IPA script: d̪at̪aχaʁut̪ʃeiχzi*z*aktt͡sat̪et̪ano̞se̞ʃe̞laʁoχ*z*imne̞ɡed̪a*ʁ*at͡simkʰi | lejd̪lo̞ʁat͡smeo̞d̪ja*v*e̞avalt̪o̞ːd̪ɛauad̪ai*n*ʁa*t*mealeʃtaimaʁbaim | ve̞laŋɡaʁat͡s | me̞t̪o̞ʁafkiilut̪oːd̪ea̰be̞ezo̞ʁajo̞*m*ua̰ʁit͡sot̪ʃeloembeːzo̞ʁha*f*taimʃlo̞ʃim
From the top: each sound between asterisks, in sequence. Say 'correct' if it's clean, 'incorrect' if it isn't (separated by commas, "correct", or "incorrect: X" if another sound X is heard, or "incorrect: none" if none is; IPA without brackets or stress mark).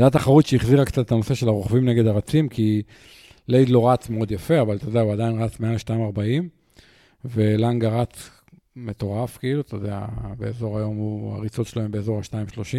incorrect: ʁ, incorrect: v, correct, incorrect: f, correct, incorrect: t͡s, correct, incorrect: ʃ